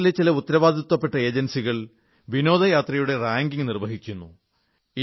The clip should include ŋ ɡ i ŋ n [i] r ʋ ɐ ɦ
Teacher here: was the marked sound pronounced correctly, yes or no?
yes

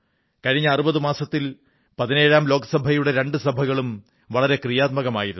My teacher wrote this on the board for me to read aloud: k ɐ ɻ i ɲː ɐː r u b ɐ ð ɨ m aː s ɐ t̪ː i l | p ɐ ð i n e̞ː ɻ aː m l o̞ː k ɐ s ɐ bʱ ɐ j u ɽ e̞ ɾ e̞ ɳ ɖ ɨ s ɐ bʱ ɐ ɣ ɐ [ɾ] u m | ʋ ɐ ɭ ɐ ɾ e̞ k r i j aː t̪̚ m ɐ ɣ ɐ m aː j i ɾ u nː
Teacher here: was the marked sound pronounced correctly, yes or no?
no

